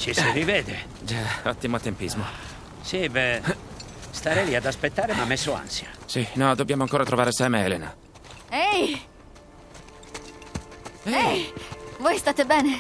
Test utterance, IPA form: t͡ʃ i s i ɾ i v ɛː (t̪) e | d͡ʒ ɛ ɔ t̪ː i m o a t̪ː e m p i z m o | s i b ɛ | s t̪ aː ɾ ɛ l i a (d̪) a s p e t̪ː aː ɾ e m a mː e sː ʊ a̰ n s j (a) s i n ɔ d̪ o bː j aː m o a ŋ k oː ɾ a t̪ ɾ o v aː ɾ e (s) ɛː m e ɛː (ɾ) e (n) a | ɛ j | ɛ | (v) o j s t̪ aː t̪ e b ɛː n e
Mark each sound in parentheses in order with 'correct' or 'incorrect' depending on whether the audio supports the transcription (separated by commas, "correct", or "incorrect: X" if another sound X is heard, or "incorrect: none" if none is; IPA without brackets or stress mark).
incorrect: d̪, correct, correct, correct, incorrect: l, correct, correct